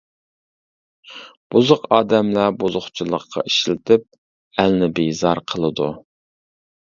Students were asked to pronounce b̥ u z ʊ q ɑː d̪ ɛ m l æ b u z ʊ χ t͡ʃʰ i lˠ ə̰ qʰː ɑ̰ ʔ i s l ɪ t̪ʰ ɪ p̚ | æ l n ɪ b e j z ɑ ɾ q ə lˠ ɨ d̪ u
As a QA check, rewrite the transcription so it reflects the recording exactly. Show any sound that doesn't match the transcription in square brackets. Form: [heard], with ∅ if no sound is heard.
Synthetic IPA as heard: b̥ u z ʊ q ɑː d̪ ɛ m l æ b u z ʊ χ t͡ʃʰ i lˠ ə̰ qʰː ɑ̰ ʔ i [ʃ] l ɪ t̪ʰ ɪ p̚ | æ l n ɪ b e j z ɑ ɾ [qʰ] ə lˠ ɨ d̪ u